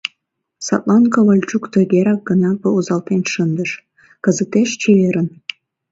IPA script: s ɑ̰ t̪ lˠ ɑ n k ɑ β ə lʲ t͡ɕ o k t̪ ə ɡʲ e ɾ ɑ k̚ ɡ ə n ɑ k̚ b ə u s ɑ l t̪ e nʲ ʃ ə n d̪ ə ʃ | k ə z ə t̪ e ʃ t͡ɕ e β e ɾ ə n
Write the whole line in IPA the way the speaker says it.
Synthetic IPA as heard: s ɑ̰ t̪ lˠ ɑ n k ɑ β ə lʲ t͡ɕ u k t̪ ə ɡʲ e ɾ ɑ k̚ ɡ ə n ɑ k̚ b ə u z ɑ l t̪ e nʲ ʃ ə n d̪ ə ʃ | k ə z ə t̪ e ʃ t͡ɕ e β e ɾ ə n